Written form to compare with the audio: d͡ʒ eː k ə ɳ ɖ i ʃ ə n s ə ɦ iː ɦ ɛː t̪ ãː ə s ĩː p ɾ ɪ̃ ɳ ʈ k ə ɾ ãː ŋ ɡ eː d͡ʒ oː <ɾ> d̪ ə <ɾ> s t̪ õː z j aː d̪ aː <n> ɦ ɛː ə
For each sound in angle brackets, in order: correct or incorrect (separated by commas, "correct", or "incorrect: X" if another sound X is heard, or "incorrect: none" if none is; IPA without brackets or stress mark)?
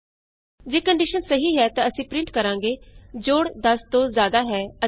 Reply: incorrect: ɽ, incorrect: none, incorrect: none